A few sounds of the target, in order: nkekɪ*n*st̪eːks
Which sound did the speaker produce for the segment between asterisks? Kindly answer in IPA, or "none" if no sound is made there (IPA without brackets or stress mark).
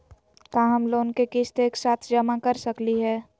none